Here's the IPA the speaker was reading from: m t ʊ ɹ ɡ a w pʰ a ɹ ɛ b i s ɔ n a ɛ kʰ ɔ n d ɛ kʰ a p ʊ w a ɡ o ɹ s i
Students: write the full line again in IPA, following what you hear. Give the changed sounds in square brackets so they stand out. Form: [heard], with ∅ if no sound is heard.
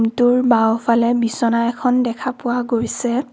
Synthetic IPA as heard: m t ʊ ɹ [b] a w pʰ a [l] ɛ b i s ɔ n a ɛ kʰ ɔ n d ɛ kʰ a p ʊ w a ɡ o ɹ s [ɛ]